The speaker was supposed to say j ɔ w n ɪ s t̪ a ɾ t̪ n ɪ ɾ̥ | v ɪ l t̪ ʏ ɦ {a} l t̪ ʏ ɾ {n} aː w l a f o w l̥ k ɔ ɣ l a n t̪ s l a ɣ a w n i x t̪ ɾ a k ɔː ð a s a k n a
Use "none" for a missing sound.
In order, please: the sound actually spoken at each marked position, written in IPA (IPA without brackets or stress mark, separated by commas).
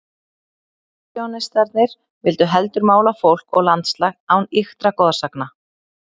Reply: ɛ, m